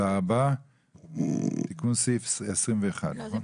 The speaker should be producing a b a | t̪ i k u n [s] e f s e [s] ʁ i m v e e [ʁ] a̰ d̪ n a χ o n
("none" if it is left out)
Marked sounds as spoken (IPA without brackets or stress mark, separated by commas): s, s, χ